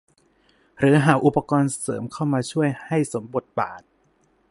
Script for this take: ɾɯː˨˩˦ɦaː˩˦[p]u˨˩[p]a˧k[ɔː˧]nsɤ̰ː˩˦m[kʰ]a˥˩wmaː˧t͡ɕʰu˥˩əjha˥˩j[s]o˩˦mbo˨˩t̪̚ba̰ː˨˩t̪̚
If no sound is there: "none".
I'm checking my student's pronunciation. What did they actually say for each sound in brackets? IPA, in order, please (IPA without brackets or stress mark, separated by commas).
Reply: ʔ, p, ɔː˧, kʰ, s